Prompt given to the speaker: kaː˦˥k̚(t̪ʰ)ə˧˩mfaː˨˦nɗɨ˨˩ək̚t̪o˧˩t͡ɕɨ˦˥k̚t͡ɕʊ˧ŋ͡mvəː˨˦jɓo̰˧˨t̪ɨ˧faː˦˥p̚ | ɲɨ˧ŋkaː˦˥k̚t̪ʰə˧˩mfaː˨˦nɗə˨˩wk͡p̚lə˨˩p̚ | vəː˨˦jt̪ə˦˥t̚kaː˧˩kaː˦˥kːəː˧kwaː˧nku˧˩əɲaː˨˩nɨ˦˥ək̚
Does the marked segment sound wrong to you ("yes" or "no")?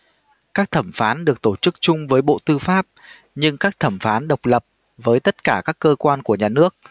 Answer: no